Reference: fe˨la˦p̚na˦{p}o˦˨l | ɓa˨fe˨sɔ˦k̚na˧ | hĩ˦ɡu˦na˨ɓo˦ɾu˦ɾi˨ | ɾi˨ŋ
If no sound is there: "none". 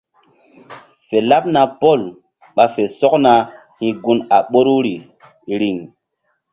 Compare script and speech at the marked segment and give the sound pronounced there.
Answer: p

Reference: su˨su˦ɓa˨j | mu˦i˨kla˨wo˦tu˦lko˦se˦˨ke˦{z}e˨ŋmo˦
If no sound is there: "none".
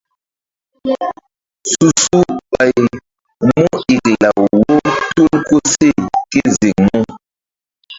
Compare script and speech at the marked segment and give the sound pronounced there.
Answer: z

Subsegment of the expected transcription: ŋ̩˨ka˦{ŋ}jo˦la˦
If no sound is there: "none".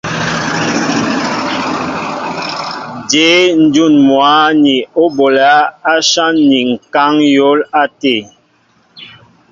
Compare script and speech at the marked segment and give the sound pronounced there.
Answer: ŋ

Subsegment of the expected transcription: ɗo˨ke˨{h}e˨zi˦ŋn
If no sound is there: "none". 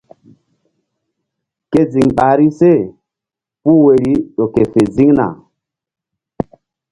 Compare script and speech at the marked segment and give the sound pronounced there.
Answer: f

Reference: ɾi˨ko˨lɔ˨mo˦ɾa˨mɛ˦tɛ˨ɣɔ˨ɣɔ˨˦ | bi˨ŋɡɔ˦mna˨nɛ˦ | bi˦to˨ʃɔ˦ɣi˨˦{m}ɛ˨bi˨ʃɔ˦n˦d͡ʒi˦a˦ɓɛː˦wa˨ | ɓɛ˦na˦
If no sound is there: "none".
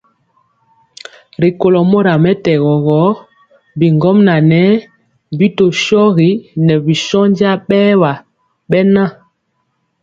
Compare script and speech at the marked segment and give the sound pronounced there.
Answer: n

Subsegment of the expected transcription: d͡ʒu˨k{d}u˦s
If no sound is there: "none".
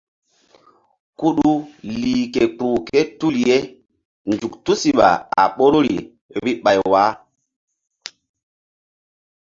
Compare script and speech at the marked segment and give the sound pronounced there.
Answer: t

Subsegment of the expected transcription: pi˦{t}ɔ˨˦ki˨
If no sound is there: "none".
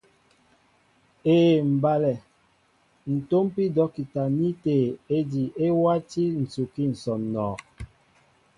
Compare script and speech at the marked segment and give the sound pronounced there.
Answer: d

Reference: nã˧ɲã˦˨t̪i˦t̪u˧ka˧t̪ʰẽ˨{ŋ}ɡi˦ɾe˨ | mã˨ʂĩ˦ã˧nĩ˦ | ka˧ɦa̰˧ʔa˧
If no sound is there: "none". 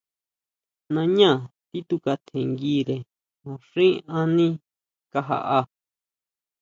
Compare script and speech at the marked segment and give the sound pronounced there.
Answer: ŋ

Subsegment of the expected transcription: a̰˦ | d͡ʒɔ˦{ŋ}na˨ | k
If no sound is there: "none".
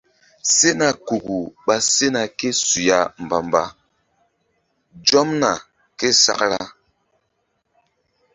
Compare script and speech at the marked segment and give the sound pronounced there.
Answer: m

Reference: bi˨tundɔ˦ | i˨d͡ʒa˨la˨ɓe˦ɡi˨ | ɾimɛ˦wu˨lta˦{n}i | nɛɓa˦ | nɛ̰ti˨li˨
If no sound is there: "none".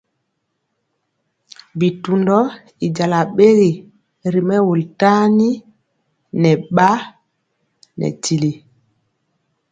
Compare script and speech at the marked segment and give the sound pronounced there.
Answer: n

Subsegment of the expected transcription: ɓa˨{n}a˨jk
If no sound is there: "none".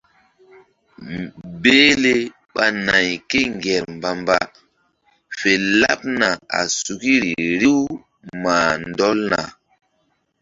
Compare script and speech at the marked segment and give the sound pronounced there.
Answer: n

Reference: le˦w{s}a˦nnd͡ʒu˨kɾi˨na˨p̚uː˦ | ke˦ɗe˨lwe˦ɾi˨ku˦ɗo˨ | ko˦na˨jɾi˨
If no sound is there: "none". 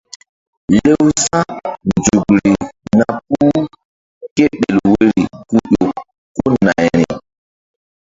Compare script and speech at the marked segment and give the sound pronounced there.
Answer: s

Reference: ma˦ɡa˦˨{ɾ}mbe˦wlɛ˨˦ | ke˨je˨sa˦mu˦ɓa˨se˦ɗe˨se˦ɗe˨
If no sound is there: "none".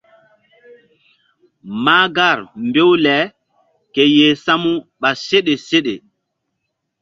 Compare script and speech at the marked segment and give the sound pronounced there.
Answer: ɾ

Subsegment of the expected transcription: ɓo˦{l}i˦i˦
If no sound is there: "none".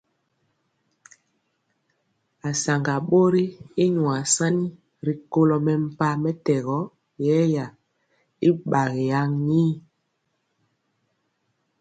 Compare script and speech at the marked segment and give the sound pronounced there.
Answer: ɾ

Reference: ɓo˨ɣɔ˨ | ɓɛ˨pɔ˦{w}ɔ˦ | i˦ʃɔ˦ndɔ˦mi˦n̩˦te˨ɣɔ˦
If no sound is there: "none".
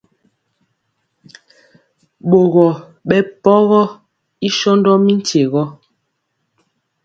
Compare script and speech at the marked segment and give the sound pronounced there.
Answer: ɣ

